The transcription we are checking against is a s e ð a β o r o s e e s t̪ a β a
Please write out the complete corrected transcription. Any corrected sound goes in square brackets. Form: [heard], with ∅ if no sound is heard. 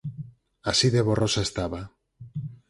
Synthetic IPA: a s [i] ð [e] β o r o s [a] e s t̪ a β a